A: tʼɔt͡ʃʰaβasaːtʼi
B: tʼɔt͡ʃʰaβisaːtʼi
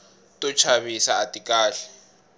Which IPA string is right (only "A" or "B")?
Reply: B